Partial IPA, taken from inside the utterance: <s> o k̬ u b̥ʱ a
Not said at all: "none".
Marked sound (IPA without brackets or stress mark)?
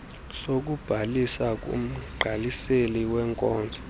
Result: s